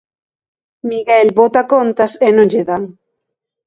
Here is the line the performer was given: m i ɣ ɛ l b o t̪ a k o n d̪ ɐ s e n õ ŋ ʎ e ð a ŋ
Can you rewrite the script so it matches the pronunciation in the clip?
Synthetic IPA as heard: m i ɣ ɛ l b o t̪ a k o n t̪ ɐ s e n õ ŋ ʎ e ð a ŋ